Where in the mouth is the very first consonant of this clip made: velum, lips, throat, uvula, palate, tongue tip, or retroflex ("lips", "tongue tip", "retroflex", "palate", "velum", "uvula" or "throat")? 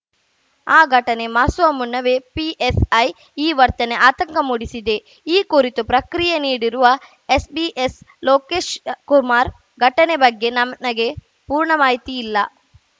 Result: velum